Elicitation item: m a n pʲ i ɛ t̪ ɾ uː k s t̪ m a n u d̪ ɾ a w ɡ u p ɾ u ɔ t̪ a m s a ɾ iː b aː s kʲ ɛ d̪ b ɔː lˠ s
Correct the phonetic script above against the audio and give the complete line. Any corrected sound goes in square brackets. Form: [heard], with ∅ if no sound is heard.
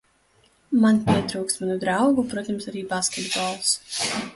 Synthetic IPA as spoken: m a n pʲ i ɛ t̪ ɾ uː k s t̪ m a n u d̪ ɾ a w ɡ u p ɾ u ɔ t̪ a m s a ɾ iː b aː s kʲ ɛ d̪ b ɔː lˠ s